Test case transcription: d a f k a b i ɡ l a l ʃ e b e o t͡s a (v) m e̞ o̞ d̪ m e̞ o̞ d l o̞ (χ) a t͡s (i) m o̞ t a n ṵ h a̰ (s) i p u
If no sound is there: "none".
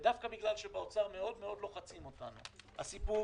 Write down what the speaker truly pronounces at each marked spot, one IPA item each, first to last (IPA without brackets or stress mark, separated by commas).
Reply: ʁ, χ, i, s